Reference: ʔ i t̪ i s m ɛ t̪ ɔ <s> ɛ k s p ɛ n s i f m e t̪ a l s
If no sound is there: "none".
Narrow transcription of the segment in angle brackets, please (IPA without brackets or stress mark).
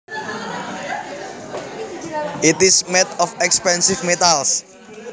f